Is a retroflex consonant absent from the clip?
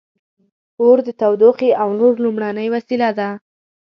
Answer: no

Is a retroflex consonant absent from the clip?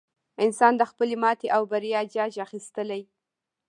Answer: yes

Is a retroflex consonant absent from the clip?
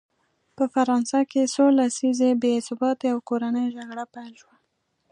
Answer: no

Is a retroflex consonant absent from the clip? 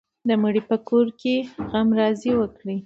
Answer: no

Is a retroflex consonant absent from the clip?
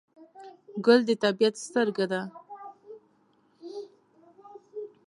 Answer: yes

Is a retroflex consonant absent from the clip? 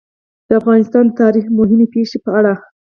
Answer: no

